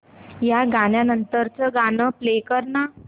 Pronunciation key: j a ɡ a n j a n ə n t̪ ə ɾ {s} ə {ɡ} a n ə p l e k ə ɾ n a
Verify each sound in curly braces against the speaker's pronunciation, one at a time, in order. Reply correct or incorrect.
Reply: incorrect, correct

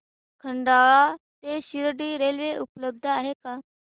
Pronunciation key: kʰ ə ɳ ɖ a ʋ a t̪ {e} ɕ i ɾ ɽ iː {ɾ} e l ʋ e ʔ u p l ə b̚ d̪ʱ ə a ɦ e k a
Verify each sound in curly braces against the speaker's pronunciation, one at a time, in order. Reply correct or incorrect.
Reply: correct, correct

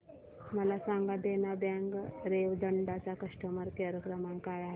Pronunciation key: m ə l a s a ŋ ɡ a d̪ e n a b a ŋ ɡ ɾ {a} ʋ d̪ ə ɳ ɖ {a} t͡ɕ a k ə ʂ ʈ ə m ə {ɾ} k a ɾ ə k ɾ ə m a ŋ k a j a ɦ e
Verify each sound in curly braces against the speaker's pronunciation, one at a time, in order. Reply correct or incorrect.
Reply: incorrect, correct, correct

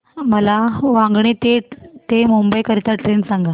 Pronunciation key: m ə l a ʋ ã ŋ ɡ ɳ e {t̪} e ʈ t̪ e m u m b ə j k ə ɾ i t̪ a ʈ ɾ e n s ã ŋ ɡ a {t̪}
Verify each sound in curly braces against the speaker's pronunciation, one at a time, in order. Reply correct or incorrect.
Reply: correct, incorrect

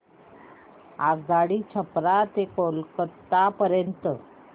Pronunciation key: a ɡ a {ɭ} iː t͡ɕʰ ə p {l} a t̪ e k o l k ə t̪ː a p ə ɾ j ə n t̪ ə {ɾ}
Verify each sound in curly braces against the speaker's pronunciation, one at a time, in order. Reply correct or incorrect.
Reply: incorrect, incorrect, incorrect

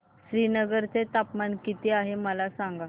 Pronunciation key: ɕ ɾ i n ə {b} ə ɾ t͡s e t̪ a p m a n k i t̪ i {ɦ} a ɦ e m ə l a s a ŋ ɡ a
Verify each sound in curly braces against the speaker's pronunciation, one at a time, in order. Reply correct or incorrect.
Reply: incorrect, incorrect

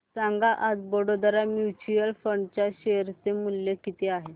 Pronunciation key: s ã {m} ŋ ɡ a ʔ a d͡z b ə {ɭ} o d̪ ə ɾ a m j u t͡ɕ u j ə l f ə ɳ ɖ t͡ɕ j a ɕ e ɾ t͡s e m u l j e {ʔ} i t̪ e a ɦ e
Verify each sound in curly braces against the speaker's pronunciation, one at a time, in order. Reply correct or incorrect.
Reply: incorrect, incorrect, incorrect

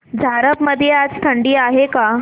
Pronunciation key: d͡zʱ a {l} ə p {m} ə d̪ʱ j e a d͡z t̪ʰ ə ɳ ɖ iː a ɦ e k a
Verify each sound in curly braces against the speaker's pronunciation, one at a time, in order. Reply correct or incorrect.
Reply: incorrect, correct

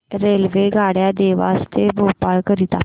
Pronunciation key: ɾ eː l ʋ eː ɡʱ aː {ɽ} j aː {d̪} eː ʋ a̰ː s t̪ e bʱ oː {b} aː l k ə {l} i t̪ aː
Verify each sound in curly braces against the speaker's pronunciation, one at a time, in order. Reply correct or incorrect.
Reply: correct, correct, incorrect, incorrect

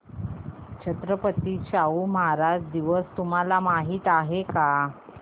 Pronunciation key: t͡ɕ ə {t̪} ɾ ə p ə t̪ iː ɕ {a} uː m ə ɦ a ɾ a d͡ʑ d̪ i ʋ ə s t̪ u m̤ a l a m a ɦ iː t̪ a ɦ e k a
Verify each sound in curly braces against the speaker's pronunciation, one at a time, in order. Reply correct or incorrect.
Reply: correct, correct

